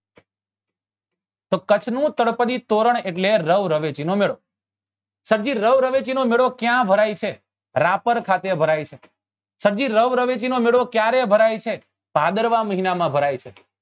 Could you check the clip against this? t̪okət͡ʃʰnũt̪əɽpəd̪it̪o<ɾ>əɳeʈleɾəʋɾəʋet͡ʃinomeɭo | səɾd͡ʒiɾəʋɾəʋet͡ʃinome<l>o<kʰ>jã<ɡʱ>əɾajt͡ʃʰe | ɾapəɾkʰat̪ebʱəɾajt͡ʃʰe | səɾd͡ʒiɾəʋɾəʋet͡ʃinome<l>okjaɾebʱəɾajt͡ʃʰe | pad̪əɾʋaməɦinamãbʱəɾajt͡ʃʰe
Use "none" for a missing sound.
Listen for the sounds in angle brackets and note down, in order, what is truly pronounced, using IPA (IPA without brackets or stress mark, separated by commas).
ɾ, ɭ, k, bʱ, ɭ